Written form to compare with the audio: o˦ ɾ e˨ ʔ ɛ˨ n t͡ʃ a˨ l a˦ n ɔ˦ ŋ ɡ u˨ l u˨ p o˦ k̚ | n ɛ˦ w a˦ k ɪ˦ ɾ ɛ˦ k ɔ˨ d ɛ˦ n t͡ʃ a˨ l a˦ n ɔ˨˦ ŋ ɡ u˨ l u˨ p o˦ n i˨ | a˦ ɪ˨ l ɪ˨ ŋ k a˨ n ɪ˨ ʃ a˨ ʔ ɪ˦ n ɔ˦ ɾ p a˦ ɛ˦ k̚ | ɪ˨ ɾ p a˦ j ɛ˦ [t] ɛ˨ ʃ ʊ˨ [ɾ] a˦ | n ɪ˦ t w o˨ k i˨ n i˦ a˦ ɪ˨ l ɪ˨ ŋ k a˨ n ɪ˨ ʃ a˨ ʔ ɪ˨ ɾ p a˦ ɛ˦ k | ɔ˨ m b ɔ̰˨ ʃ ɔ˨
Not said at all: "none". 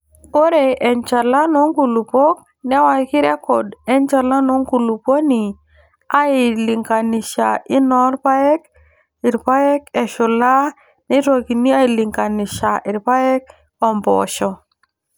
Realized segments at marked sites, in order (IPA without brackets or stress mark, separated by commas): k, l